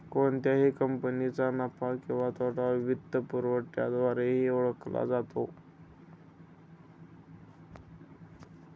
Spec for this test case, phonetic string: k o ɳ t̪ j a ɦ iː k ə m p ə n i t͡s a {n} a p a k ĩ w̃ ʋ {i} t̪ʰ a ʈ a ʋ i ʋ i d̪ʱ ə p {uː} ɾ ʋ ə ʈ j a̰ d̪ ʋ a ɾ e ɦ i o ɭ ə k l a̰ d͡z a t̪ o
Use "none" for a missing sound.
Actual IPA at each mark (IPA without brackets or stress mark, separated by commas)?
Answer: n, a, u